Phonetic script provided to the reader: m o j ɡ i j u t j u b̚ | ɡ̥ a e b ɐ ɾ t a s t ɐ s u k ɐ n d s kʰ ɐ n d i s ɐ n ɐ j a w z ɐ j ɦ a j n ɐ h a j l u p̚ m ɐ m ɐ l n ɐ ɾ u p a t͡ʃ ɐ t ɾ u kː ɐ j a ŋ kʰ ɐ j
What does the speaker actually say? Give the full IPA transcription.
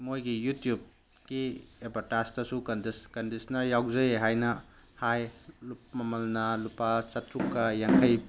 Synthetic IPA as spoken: m o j ɡ i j u t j u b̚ | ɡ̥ i e b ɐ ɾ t a s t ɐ s u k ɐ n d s k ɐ n d i s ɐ n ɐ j a w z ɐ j ɦ a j n ɐ h a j l u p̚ m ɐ m ɐ l n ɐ l u p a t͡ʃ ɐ t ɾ u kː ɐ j a ŋ kʰ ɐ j